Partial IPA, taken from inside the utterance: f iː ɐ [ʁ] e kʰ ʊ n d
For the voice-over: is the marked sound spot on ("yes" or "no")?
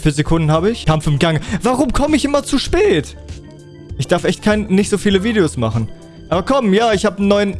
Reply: no